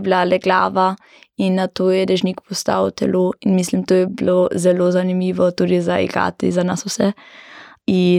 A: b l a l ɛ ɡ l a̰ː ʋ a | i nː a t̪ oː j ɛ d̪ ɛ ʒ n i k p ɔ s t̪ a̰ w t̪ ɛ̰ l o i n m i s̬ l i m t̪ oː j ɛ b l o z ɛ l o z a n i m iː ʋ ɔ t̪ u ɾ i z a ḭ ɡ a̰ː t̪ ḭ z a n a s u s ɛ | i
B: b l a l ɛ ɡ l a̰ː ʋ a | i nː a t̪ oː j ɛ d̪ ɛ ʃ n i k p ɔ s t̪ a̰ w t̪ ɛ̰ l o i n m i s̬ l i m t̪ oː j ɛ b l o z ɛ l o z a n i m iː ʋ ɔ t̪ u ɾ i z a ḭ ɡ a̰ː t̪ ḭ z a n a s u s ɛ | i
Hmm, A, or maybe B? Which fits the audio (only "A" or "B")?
A